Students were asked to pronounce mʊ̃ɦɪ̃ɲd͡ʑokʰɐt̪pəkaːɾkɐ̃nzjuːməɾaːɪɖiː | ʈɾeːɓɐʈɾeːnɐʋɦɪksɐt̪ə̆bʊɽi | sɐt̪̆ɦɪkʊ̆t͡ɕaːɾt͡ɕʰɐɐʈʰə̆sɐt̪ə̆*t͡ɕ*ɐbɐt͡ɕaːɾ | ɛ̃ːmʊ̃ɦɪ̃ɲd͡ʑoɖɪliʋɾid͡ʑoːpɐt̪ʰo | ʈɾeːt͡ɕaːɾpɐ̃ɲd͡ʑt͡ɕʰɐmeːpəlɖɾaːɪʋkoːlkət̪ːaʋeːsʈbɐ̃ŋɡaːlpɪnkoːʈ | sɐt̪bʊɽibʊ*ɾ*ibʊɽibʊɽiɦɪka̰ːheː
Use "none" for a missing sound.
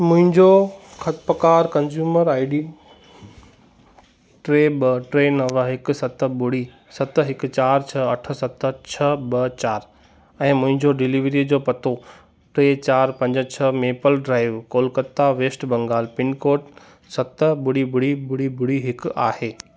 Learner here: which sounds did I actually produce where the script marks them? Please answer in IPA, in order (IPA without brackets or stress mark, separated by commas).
t͡ɕʰ, ɽ